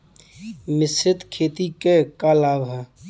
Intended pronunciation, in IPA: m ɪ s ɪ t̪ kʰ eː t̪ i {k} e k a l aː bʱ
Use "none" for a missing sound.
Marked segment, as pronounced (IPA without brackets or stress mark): k